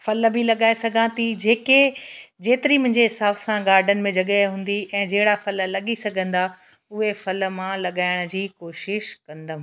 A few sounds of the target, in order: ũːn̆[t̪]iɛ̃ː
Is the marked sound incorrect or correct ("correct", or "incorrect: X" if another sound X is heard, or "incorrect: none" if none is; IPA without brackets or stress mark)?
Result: incorrect: d̪